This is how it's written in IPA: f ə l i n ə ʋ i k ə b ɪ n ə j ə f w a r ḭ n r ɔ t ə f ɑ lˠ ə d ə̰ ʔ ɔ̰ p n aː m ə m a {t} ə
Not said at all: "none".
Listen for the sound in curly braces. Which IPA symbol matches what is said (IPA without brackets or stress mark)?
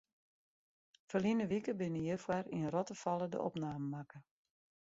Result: k